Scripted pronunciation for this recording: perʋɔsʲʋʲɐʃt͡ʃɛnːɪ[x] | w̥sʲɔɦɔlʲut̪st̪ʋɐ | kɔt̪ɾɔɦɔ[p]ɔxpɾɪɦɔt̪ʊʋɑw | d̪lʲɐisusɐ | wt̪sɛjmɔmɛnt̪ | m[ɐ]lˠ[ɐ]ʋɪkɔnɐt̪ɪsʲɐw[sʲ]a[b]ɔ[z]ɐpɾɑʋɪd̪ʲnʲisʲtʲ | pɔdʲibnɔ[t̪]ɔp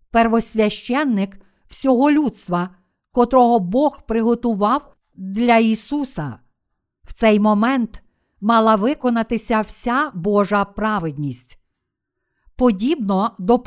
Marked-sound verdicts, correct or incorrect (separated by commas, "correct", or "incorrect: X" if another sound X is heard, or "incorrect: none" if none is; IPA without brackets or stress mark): incorrect: k, incorrect: b, incorrect: ɑ, correct, correct, correct, incorrect: ʒ, incorrect: d̪